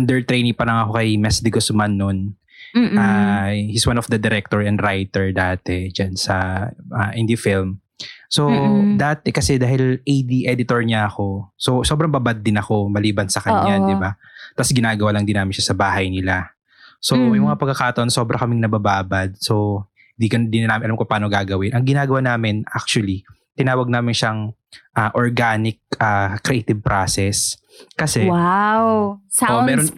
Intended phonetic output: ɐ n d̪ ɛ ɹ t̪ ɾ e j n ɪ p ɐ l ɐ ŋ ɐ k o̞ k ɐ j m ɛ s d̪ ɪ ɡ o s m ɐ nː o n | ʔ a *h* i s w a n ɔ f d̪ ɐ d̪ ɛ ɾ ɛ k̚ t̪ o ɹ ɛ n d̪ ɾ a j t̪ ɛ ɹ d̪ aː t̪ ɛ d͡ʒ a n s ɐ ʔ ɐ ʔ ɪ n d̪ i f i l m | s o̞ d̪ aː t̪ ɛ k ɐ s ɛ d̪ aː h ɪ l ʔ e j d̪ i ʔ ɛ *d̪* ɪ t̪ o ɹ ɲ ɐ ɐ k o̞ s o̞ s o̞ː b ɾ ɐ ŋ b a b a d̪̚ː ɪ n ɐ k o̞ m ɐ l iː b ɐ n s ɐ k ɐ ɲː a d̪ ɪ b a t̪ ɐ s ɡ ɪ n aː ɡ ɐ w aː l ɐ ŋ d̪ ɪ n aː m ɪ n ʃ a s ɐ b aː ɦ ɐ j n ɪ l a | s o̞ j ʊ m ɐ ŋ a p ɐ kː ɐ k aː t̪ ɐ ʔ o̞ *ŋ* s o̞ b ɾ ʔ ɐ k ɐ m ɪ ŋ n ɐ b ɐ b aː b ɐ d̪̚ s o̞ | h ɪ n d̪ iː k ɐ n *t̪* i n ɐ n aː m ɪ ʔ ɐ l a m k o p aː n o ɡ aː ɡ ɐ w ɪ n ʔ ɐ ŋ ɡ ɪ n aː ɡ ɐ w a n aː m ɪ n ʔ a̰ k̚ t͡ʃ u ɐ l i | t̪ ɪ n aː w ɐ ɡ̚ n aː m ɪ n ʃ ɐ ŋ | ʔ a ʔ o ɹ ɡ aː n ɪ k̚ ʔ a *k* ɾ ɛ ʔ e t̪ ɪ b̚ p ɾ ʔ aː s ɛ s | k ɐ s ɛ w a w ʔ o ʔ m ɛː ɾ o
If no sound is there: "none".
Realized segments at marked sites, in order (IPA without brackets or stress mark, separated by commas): h, d̪, n, d̪, k